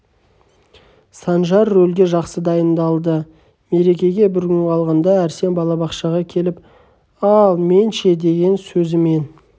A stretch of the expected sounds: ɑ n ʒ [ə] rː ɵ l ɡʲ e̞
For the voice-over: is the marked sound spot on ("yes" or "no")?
no